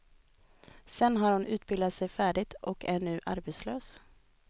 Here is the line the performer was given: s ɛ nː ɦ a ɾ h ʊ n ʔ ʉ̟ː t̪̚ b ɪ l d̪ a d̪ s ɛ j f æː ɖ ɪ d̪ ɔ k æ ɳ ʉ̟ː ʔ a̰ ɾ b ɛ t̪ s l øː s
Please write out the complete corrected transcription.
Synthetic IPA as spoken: s ɛ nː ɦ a ɾ h ʊ n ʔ ʉ̟ː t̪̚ b ɪ l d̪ a t̪ s ɛ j f æː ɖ ɪ t̪ ɔ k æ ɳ ʉ̟ː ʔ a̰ ɾ b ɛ t̪ s l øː s